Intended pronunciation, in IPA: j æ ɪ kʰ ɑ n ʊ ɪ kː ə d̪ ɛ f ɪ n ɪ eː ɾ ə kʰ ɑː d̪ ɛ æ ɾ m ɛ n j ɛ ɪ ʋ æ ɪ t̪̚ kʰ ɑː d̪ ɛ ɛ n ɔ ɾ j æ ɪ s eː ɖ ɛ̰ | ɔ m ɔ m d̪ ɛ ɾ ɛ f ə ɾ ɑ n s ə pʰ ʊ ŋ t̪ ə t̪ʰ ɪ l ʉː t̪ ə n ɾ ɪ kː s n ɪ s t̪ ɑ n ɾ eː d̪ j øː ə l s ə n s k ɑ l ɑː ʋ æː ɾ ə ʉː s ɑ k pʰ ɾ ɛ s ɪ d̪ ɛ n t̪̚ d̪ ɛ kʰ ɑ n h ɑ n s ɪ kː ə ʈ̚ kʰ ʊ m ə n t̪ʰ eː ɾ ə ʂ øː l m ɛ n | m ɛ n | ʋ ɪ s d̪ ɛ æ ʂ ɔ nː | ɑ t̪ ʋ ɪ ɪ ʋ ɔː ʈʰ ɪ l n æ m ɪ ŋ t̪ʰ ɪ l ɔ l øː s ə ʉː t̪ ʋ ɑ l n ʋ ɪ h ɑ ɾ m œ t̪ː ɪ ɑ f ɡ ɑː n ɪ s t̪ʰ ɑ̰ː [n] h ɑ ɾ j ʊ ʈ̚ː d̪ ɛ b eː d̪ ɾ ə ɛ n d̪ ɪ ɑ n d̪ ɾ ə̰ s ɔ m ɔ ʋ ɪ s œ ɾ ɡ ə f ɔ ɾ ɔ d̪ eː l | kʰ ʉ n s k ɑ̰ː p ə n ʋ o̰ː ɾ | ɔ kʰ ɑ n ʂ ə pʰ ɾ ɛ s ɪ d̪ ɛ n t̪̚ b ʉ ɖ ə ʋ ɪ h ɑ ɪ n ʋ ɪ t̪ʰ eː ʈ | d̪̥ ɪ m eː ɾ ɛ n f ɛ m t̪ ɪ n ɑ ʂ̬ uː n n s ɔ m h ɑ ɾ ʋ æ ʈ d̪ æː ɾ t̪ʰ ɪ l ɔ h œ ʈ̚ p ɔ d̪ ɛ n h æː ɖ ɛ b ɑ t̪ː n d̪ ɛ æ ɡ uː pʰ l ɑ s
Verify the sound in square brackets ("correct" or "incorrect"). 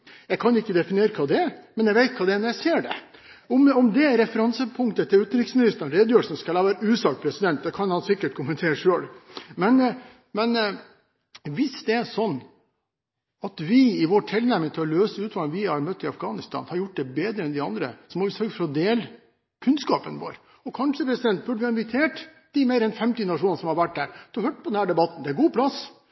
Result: correct